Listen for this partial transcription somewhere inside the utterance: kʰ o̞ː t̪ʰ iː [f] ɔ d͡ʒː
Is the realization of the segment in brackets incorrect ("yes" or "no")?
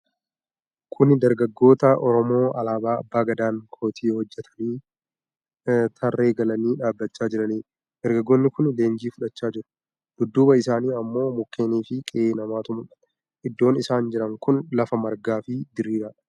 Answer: yes